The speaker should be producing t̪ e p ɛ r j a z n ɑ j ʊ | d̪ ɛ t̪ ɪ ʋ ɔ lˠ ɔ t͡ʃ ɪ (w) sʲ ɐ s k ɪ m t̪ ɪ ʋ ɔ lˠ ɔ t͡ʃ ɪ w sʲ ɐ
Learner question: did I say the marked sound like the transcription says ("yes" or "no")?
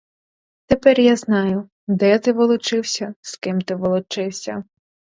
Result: yes